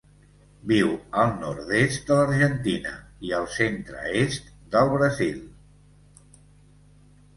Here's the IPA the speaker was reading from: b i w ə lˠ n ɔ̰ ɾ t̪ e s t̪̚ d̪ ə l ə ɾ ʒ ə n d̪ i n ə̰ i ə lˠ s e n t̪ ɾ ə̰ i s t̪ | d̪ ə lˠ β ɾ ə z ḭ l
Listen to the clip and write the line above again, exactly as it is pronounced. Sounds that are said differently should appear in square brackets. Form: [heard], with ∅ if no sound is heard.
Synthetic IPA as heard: b i w ə lˠ n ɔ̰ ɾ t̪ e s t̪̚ d̪ ə l ə ɾ ʒ ə n [t̪] i n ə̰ i ə lˠ s e n t̪ ɾ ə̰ [e] s t̪ | d̪ ə lˠ β ɾ ə z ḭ l

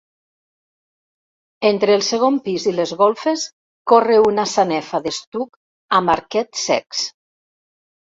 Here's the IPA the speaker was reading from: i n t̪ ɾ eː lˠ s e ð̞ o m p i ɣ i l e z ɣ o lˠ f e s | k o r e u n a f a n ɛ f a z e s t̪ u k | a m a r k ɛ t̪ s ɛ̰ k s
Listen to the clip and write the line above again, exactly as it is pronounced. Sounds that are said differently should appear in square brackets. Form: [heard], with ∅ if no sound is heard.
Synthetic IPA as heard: [e] n t̪ ɾ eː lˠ s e [ɣ̞] o m p i [z] i l e z ɣ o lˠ f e s | k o r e u n a [s] a n ɛ f a [ð] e s t̪ u k | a m a [ɾ] k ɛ t̪ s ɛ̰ k s

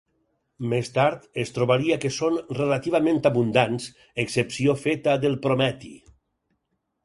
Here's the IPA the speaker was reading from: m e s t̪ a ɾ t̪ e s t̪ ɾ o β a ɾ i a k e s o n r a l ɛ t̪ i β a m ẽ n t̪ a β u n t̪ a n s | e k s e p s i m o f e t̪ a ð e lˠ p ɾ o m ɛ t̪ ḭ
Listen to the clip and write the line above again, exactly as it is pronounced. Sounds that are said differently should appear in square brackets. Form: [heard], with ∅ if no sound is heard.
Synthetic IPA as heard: m e s t̪ a ɾ t̪ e s t̪ ɾ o β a ɾ i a k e s o n r [e] l [a] t̪ i β a m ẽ n t̪ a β u n [d̪] a n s | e k s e p s i [∅] o f e t̪ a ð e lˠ p ɾ o m ɛ t̪ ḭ

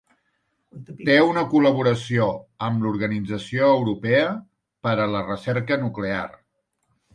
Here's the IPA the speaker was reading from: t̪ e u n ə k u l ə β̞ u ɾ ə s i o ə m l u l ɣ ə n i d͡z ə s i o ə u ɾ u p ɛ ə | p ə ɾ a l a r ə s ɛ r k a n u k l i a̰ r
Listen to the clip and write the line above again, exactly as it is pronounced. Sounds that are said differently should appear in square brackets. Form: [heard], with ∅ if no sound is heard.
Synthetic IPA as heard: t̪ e u n ə k u l ə β̞ u ɾ ə s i o ə m l u [ɾ] ɣ ə n i d͡z ə s i o ə [w] ɾ u p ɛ ə | p ə ɾ [ə] l [ə] r ə s ɛ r k [ə] n u k l [e] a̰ r

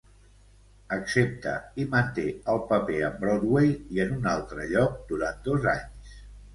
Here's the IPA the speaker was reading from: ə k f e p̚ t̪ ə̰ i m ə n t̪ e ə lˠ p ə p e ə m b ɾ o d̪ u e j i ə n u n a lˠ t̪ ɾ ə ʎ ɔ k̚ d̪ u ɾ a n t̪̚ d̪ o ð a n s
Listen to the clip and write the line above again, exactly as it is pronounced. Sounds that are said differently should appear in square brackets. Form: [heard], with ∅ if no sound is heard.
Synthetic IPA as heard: ə k [s] e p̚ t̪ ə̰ i m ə n t̪ e ə lˠ p ə p e ə m b ɾ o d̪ [w] e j i ə n u n a lˠ t̪ ɾ ə ʎ ɔ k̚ d̪ u ɾ a n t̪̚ d̪ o [z] a [ɲ] s

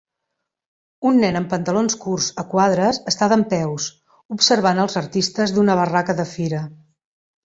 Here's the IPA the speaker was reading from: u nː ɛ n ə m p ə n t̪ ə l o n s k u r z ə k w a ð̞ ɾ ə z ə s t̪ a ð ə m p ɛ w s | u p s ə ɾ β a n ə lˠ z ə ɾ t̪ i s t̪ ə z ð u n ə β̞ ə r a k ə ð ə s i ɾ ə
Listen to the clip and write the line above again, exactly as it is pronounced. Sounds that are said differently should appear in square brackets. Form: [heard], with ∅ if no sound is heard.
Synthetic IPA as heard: u nː ɛ n ə m p ə n t̪ ə l o n s k u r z ə k w a ð̞ ɾ ə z ə s t̪ a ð ə m p ɛ w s | u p s ə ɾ β a n ə lˠ z ə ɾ t̪ i s t̪ ə z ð u n ə β̞ ə r a k ə ð ə [f] i ɾ ə

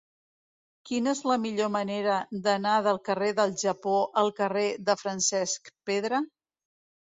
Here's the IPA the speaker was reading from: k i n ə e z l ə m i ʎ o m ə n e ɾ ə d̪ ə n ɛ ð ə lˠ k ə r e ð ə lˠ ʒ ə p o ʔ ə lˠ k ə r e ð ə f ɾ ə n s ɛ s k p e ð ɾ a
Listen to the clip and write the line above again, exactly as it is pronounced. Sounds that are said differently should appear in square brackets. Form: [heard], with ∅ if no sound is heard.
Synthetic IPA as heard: k i n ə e z l ə m i ʎ o m ə n e ɾ ə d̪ ə n [a] ð ə lˠ k ə r e ð ə lˠ ʒ ə p o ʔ ə lˠ k ə r e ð ə f ɾ ə n s ɛ s k p e ð ɾ [ə]

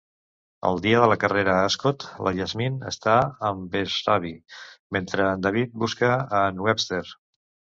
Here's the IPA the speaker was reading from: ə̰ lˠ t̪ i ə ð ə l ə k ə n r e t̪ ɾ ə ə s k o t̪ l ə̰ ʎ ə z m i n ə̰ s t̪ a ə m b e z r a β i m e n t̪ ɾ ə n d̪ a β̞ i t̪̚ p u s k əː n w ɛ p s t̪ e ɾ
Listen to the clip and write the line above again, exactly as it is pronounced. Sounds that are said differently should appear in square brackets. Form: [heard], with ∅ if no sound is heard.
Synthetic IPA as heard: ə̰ lˠ [d̪] i ə ð ə l ə k ə [∅] r e [∅] ɾ ə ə s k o t̪ l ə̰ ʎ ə z m i n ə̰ s t̪ a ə m b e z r a β i m e n t̪ ɾ ə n d̪ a β̞ i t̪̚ [b] u s k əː n w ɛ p s t̪ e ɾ

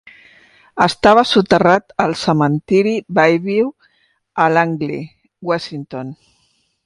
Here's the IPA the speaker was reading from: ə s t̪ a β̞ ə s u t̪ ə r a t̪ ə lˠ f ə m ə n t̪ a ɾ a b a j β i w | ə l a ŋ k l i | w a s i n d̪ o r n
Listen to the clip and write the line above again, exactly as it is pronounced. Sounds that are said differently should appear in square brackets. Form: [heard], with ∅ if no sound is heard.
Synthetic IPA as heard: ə s t̪ a β̞ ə s u t̪ ə r a t̪ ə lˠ [s] ə m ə n t̪ [i] ɾ [i] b a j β i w | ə l a ŋ [ɡ] l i | w a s i n [t̪] o [∅] n

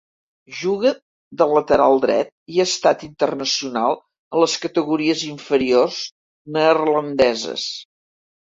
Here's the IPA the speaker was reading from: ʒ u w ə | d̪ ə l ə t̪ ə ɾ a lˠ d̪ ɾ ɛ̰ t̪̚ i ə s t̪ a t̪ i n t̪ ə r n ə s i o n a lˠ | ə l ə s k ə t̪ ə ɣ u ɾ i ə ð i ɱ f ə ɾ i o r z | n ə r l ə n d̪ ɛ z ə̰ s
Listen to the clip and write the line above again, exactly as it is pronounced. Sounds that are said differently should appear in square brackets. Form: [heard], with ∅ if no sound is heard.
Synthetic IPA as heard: ʒ u [ɣ] ə | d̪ ə l ə t̪ ə ɾ a lˠ d̪ ɾ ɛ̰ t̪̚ i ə s t̪ a t̪ i n t̪ ə r n ə s i [u] n a lˠ | ə l ə s k ə t̪ ə ɣ u ɾ i ə [z] i ɱ f ə ɾ i o r z | n ə r l ə n d̪ ɛ z ə̰ s

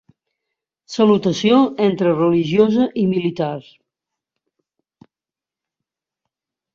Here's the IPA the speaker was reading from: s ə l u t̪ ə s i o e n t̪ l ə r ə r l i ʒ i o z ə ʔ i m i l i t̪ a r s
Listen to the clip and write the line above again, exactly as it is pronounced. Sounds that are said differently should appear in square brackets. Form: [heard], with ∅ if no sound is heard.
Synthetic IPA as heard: s ə l u t̪ ə s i o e n t̪ [ɾ] ə r ə [∅] l i ʒ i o z ə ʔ i m i l i t̪ a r s

